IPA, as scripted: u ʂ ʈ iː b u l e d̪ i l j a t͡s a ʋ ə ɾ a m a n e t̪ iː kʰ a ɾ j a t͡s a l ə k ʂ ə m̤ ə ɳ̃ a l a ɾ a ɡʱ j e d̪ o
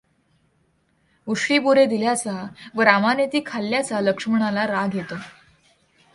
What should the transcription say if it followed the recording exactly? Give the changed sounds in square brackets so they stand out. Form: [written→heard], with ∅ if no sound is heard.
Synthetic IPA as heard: u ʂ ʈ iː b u [l→ɾ] e d̪ i l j a t͡s a ʋ ə ɾ a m a n e t̪ iː kʰ a [ɾ→l] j a t͡s a l ə k ʂ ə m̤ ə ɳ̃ a l a ɾ a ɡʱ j e [d̪→t̪] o